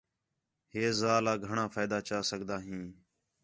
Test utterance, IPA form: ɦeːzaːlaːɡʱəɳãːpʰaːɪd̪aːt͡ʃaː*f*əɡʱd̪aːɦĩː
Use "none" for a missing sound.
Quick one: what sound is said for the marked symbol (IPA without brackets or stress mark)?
s